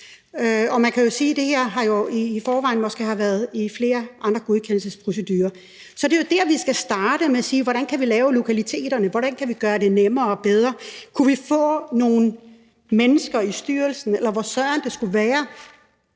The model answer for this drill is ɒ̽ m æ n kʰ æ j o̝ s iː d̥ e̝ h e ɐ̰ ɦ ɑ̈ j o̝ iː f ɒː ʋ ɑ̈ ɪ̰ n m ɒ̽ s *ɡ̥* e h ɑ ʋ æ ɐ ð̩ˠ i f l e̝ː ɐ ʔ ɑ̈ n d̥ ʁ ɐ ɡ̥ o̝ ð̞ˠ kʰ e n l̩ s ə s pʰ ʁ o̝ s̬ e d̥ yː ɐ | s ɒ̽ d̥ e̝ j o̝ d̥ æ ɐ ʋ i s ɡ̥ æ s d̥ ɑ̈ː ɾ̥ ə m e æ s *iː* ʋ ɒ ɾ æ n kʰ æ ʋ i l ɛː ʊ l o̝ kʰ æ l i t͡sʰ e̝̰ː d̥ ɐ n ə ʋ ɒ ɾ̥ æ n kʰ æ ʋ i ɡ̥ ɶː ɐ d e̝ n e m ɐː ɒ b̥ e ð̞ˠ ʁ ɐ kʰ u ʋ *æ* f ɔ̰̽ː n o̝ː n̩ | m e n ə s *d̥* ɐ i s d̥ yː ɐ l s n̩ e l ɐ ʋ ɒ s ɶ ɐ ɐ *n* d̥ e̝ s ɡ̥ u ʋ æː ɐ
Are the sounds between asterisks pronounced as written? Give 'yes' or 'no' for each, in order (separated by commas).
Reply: yes, yes, no, no, yes